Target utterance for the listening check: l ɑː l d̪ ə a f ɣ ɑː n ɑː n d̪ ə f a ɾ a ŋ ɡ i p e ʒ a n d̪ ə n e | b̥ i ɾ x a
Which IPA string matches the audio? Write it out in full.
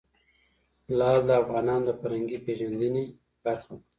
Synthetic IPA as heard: l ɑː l d̪ ə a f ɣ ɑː n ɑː n d̪ ə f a ɾ a ŋ ɡ i p e ʒ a n d̪ ə n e | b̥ a ɾ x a